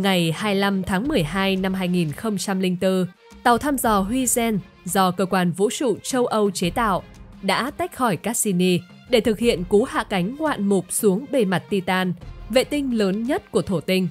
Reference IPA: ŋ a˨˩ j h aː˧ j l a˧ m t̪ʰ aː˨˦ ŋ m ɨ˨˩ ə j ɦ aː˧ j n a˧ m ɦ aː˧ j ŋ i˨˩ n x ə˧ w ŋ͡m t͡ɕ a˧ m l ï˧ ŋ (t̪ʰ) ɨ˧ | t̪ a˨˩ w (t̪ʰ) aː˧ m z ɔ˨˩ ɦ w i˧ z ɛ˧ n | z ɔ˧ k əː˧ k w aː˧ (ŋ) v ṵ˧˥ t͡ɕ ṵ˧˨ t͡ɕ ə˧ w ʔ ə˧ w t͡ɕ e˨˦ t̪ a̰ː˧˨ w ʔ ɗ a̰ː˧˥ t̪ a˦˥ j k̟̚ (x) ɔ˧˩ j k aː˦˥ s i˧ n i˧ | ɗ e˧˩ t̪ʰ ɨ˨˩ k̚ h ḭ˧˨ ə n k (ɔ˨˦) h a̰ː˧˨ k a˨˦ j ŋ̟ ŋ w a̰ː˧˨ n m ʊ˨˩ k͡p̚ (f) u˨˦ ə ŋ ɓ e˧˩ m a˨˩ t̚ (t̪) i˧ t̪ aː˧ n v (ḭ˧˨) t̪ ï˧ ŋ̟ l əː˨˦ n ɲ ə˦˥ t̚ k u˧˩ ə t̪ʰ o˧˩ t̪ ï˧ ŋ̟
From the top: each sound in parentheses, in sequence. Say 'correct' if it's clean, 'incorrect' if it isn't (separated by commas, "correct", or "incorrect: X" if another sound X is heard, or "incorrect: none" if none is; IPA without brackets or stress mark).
incorrect: t̪, correct, incorrect: n, correct, incorrect: u˨˦, incorrect: s, correct, incorrect: ḛ˧˨